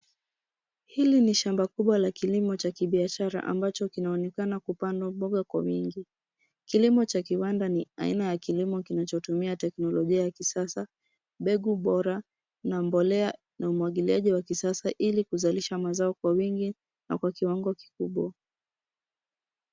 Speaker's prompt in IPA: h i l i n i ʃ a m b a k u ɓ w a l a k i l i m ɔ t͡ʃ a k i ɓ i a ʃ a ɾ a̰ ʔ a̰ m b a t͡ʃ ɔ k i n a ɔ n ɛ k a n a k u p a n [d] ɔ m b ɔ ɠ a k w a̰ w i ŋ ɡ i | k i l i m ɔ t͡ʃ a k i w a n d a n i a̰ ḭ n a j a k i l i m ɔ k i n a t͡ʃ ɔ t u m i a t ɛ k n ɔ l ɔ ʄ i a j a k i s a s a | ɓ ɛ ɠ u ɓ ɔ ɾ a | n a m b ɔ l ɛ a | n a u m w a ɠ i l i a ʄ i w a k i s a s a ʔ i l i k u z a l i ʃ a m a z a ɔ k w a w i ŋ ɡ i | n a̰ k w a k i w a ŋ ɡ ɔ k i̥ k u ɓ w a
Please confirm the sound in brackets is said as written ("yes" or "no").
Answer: yes